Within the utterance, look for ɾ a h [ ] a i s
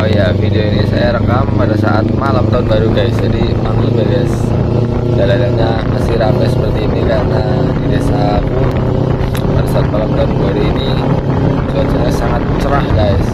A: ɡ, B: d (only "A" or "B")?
A